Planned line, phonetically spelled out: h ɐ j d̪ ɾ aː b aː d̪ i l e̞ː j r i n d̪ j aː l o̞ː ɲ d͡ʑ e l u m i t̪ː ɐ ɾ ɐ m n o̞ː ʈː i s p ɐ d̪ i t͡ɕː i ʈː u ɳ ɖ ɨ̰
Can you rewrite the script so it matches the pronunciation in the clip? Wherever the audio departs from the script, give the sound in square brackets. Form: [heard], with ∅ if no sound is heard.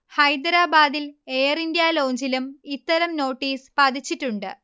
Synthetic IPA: h ɐ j d̪ ɾ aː b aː d̪ i l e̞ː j r i n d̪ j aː l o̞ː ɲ d͡ʑ [i] l u m i t̪ː ɐ ɾ ɐ m n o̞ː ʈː [iː] s p ɐ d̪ i t͡ɕː i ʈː u ɳ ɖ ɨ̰